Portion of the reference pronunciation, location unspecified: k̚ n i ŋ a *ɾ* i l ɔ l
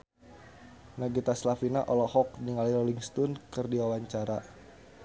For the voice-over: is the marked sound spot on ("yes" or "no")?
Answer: no